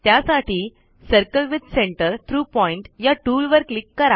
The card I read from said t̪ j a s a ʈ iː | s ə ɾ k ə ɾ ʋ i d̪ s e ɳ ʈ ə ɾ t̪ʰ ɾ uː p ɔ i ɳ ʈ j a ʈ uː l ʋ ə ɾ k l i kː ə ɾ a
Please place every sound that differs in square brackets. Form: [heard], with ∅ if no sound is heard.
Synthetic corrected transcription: t̪ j a s a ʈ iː | s ə ɾ k ə [l] ʋ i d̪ s e ɳ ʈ ə ɾ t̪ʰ ɾ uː p ɔ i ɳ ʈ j a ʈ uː l ʋ ə ɾ k l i kː ə ɾ a